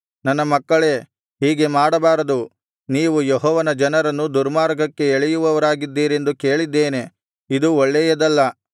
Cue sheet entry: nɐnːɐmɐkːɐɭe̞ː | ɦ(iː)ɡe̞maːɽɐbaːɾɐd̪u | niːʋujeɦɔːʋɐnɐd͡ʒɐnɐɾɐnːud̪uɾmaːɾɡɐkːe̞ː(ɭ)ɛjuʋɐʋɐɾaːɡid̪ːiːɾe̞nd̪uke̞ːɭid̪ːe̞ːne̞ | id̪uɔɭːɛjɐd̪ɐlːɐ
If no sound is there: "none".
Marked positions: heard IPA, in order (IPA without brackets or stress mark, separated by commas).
iː, ɭ